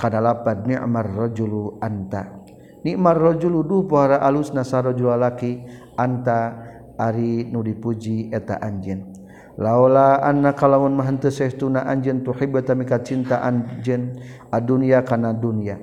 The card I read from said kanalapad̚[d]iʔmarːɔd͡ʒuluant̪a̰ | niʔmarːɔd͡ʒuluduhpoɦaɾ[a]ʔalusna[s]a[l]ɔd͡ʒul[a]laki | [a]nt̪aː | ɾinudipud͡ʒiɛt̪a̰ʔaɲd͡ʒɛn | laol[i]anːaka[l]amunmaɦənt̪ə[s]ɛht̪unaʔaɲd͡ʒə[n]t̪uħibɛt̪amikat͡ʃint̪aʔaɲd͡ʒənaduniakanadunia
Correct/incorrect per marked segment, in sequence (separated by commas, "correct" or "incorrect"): incorrect, correct, correct, incorrect, correct, correct, incorrect, correct, correct, correct